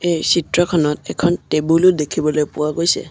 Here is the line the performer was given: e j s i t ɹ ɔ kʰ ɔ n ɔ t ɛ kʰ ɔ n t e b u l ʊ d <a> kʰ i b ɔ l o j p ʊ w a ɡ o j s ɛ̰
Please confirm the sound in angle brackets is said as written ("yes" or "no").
no